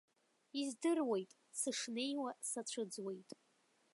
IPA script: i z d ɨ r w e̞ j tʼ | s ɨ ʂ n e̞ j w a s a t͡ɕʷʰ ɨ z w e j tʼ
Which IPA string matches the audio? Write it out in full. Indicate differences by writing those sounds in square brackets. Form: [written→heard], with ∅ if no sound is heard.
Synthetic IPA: i z d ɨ r w e̞ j tʼ | s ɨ ʂ n e̞ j w a s a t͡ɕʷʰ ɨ [z→d͡z] w e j tʼ